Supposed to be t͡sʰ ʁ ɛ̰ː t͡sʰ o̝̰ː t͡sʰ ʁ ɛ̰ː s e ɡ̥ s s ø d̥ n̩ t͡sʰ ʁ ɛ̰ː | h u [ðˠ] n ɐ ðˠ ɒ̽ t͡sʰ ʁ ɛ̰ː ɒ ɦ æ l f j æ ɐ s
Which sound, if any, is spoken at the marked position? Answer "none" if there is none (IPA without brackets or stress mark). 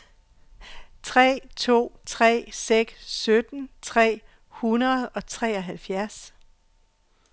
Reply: none